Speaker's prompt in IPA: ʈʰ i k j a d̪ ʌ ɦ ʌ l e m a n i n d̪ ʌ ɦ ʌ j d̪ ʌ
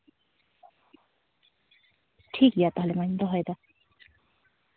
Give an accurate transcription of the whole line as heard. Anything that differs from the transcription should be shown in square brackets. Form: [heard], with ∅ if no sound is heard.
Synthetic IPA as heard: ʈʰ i k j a [t̪] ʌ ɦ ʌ l e m a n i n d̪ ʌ ɦ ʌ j d̪ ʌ